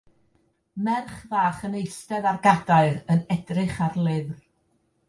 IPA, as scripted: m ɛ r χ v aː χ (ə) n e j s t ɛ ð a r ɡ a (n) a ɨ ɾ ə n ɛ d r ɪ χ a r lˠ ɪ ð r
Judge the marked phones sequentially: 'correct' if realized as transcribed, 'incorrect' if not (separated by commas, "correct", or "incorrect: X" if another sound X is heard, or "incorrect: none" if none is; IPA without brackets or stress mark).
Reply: correct, incorrect: d